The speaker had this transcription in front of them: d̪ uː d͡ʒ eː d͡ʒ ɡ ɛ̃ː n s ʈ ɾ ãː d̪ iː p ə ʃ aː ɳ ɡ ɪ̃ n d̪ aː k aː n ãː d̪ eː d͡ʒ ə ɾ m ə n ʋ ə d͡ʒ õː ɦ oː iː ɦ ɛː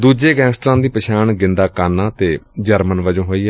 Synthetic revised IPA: d̪ uː d͡ʒ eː ɡ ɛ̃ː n s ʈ ɾ ãː d̪ iː p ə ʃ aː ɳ ɡ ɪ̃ n d̪ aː k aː n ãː t̪ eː d͡ʒ ə ɾ m ə n ʋ ə d͡ʒ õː ɦ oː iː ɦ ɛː